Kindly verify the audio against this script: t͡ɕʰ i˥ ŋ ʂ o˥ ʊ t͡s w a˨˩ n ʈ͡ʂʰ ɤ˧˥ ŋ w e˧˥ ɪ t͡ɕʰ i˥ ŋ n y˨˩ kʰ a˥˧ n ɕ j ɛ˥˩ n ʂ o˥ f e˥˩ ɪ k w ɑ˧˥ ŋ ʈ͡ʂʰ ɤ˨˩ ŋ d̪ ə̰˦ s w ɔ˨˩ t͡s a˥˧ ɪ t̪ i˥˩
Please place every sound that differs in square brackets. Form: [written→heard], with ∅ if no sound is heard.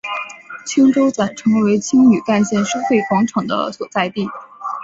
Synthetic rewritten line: t͡ɕʰ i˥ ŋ [ʂ→ʈ͡ʂ] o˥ ʊ t͡s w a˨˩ n ʈ͡ʂʰ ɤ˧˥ ŋ w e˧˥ ɪ t͡ɕʰ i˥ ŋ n y˨˩ [kʰ→k] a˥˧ n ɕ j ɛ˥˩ n ʂ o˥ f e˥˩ ɪ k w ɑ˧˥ ŋ ʈ͡ʂʰ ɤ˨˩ ŋ d̪ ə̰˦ s w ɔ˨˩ t͡s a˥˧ ɪ t̪ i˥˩